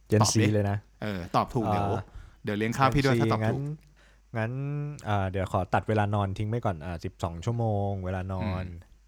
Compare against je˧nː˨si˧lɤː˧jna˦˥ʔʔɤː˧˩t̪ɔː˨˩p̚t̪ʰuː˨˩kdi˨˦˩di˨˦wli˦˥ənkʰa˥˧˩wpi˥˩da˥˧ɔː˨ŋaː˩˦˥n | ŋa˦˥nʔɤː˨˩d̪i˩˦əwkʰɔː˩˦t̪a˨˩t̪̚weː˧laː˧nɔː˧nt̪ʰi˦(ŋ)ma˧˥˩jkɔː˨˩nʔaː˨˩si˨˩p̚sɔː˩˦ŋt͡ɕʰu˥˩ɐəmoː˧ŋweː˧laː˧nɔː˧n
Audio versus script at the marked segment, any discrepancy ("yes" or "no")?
no